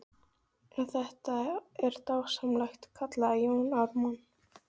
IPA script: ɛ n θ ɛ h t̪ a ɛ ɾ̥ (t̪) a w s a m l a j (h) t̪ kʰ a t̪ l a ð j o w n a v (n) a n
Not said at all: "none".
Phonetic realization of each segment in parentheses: t̪, x, m

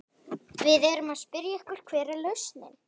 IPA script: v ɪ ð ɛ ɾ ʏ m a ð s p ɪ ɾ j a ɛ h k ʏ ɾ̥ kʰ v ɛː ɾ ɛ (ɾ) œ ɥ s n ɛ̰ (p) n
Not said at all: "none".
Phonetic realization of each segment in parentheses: l, none

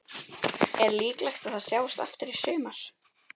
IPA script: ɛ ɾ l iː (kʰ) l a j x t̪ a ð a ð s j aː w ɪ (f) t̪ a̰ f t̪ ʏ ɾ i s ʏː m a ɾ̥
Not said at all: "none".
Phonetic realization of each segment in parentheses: k, s

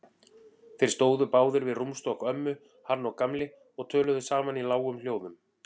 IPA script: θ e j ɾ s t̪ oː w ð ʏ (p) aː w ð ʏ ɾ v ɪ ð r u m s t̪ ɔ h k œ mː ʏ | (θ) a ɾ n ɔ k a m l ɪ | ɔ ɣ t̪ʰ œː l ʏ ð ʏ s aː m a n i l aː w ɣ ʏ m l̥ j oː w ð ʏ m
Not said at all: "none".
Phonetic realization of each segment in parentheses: p, h

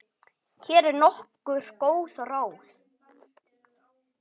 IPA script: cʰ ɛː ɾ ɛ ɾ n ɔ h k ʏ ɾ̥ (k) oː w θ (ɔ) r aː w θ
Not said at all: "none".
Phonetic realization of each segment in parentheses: k, ɔ

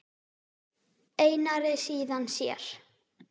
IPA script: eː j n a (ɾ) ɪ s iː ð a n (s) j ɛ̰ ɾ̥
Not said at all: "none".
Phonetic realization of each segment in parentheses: ɾ, s

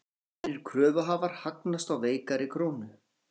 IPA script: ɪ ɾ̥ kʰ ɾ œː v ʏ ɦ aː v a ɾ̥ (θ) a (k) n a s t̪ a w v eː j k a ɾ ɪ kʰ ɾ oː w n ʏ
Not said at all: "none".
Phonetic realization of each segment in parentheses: h, k

